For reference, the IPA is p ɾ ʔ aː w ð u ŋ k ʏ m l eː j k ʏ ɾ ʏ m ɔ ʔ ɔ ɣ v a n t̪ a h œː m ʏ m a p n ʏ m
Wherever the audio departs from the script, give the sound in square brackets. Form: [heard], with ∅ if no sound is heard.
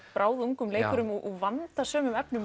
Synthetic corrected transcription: p ɾ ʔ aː w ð u ŋ k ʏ m l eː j k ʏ ɾ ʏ m ɔ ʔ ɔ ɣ v a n t̪ a [s] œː m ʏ m [ɛ] p n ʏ m